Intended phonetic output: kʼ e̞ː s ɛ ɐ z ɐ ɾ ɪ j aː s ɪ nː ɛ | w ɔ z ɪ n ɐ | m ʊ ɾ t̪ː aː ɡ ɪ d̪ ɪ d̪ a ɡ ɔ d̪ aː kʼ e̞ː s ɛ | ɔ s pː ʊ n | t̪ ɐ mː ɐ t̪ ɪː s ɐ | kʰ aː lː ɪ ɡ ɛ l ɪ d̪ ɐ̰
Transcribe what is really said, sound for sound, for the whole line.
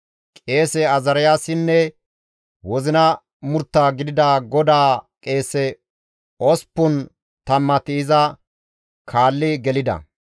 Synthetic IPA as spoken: kʼ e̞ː s ɛ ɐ z ɐ ɾ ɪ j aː s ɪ nː ɛ | w ɔ z ɪ n ɐ | m ʊ ɾ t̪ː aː ɡ ɪ d̪ ɪ d̪ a ɡ ɔ d̪ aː kʼ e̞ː s ɛ | ɔ s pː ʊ n | t̪ ɐ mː ɐ t̪ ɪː z ɐ | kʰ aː lː ɪ ɡ ɛ l ɪ d̪ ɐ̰